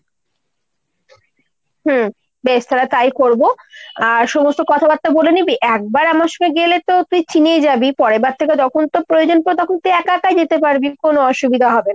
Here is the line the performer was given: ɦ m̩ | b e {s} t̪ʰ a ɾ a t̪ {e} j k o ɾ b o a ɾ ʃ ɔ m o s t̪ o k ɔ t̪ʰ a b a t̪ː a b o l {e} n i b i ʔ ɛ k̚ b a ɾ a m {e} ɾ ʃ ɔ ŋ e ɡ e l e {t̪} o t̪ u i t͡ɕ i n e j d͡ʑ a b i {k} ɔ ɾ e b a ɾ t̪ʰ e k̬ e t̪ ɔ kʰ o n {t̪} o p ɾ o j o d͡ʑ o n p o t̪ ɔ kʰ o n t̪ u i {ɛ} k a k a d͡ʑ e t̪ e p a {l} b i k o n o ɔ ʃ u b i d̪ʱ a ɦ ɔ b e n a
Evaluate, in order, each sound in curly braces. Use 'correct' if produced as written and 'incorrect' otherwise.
incorrect, incorrect, correct, incorrect, correct, incorrect, correct, correct, incorrect

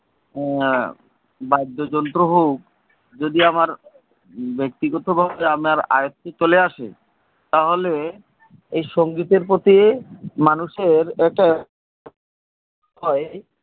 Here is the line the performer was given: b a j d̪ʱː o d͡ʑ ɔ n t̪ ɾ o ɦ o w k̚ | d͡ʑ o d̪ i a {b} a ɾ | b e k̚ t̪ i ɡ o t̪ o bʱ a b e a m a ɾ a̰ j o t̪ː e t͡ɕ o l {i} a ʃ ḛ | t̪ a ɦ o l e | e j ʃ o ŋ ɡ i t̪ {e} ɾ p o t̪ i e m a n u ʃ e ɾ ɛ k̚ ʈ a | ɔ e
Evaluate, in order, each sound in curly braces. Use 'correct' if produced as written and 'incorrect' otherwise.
incorrect, incorrect, correct

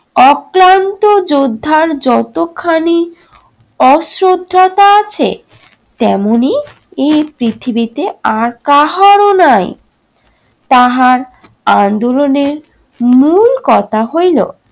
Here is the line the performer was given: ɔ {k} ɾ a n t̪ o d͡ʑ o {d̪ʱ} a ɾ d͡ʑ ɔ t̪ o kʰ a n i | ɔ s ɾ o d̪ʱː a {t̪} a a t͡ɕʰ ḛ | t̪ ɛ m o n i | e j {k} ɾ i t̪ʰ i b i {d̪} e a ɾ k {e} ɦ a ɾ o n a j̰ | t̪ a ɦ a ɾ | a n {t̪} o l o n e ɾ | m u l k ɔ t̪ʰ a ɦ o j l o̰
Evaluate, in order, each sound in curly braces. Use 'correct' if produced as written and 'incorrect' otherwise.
correct, incorrect, correct, incorrect, incorrect, incorrect, incorrect

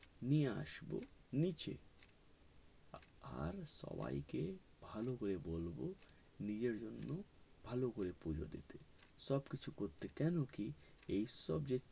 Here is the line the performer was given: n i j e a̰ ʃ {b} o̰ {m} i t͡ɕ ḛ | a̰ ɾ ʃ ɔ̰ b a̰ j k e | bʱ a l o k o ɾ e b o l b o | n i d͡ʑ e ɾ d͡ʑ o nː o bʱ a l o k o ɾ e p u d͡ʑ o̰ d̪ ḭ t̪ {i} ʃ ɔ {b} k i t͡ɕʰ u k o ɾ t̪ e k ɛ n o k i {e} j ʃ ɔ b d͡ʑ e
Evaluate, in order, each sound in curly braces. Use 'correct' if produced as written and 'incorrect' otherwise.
correct, incorrect, incorrect, correct, correct

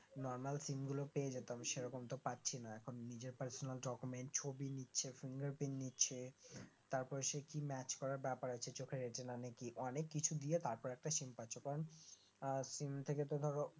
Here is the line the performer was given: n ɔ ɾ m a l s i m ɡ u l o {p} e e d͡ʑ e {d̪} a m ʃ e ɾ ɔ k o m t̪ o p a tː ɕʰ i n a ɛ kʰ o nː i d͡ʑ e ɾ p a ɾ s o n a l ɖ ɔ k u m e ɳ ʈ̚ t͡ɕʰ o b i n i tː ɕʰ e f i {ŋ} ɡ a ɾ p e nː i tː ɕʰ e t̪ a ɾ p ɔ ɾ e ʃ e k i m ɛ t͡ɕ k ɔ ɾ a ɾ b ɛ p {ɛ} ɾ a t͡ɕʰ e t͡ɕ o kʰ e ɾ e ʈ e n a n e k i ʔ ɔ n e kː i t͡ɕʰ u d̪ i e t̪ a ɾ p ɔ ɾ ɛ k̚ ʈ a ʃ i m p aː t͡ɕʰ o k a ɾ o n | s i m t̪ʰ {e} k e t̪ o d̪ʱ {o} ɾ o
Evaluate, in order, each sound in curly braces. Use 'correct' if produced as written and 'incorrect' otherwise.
correct, incorrect, correct, incorrect, correct, incorrect

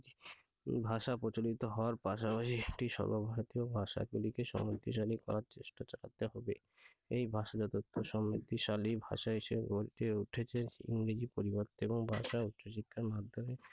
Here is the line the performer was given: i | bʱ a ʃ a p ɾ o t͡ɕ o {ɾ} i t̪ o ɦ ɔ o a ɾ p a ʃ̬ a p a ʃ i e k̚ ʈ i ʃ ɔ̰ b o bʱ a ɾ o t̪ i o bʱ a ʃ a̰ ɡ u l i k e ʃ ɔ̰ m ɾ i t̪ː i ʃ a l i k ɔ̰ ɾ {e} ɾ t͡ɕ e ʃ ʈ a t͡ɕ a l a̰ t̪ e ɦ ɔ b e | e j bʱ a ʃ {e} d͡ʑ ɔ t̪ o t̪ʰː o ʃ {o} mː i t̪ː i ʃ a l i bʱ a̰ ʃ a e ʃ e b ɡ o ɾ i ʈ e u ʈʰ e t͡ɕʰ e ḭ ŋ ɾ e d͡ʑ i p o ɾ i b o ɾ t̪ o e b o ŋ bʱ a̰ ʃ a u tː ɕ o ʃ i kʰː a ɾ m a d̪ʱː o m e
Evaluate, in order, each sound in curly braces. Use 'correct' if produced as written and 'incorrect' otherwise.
incorrect, incorrect, incorrect, incorrect

